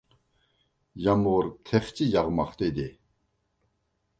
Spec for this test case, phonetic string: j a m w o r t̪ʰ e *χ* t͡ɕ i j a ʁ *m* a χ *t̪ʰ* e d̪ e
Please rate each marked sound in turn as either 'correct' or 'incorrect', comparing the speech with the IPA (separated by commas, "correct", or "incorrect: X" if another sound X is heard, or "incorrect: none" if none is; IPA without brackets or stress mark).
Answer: correct, correct, incorrect: t̪